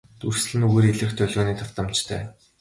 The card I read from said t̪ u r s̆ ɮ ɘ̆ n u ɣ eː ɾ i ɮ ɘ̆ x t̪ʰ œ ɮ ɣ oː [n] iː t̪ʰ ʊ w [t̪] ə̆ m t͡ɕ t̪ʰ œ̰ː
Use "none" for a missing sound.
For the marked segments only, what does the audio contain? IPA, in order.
n, t̪

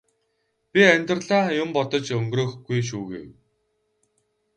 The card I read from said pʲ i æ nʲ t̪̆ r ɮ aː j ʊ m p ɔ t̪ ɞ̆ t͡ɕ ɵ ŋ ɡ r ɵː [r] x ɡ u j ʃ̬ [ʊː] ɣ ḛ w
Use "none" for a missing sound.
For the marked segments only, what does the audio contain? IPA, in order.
none, uː

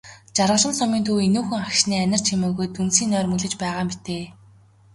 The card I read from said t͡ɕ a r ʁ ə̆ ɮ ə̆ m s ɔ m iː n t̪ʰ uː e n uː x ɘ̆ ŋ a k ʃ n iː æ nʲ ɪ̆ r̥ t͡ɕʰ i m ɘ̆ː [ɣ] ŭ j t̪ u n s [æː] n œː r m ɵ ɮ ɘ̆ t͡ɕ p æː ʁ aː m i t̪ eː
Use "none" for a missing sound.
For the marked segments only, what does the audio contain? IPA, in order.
ɣ, iː

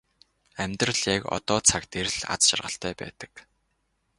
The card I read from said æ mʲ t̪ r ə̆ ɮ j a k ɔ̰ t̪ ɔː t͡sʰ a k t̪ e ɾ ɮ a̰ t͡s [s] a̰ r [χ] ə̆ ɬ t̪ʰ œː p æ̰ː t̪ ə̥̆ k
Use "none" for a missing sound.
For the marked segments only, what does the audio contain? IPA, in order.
ʃ, ʁ

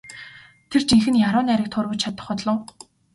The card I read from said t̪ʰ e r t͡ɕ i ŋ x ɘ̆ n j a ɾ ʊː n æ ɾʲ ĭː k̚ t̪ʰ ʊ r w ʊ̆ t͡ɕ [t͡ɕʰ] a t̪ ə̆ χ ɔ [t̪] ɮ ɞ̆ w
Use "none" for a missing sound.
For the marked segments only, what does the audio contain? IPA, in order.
t͡ɕʰ, t̪

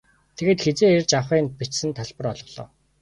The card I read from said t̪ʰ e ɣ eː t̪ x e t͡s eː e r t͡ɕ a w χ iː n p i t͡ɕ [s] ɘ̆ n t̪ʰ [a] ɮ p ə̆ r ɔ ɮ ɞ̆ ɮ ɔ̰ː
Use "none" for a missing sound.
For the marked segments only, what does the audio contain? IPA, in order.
s, a

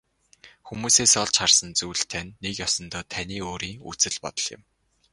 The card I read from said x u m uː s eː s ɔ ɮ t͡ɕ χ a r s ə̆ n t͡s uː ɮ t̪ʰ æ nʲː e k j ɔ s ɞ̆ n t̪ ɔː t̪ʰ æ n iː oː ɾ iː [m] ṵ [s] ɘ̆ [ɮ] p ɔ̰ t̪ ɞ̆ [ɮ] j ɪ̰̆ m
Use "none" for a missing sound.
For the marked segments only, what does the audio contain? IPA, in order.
ŋ, t͡s, ɮ, ɮ

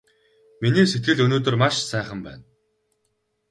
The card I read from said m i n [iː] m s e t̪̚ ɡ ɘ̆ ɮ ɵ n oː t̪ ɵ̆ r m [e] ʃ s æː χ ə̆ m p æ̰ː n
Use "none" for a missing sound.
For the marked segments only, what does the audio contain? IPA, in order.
iː, a

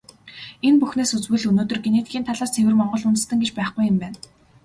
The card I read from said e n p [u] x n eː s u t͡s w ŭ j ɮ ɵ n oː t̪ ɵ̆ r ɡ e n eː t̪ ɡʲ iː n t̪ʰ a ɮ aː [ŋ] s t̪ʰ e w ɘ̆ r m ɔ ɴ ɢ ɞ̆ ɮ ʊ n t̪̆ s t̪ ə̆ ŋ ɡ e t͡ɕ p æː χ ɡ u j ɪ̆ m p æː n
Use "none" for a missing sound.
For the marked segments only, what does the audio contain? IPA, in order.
u, none

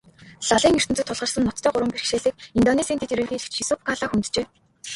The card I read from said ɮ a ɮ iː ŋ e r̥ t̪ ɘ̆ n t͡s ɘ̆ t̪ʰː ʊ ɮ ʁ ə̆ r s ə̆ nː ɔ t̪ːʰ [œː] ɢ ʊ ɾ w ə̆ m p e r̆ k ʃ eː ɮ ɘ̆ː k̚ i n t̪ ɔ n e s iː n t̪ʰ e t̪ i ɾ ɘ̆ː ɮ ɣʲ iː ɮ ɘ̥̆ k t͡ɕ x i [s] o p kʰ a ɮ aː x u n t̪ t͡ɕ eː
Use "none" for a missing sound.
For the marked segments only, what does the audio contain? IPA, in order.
œː, s

